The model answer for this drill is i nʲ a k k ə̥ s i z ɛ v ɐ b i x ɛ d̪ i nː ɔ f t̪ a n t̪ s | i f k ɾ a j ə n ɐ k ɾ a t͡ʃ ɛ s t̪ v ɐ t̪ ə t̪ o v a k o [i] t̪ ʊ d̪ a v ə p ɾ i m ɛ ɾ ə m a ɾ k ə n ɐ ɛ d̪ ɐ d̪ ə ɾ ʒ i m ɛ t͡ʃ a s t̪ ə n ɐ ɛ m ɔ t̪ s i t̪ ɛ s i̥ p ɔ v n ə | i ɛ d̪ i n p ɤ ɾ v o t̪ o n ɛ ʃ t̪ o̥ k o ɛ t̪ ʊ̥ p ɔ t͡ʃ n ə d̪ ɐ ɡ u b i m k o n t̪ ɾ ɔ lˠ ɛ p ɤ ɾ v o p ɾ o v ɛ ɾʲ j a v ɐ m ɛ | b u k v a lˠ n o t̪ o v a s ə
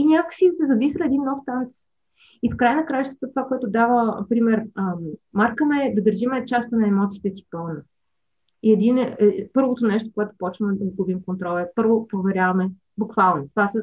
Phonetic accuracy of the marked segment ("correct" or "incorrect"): incorrect